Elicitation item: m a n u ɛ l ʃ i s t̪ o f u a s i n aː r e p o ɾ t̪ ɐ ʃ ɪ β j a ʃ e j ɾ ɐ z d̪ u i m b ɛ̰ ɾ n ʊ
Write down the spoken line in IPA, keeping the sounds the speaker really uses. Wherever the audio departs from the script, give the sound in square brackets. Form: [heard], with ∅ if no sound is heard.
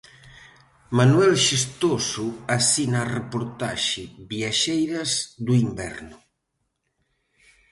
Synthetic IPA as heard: m a n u ɛ l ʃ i s t̪ o [s] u a s i n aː r e p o ɾ t̪ [a] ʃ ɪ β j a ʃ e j ɾ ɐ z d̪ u i m b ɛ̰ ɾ n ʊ